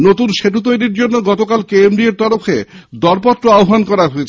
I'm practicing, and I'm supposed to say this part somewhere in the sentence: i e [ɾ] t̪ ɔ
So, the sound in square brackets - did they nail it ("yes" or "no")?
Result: yes